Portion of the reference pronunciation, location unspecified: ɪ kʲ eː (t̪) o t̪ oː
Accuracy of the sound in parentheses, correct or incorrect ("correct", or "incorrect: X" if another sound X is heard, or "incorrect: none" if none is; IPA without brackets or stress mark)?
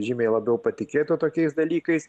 correct